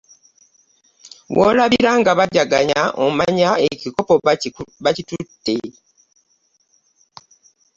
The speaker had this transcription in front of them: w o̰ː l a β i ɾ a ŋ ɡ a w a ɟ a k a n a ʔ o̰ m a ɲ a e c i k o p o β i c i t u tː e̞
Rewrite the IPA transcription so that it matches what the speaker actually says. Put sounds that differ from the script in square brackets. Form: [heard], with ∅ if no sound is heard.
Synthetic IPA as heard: w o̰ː l a β i ɾ a ŋ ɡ a [β] a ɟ a [ɡ] a [ɲ] a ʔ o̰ m a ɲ a e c i k o p o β [a] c i t u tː e̞